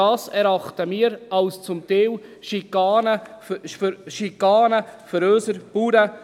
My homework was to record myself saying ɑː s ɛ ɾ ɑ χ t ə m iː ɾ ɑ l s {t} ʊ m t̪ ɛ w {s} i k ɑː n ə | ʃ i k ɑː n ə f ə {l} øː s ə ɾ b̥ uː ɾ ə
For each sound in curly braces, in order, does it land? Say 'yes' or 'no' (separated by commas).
no, no, no